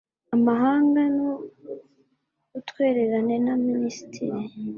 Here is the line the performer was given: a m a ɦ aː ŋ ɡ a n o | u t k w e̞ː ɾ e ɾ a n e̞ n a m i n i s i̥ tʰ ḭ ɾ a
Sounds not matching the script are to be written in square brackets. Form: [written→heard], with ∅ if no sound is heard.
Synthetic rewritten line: a m a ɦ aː ŋ ɡ a n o | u t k w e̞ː ɾ e ɾ a n e̞ n a m i n i s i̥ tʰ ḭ ɾ [a→i]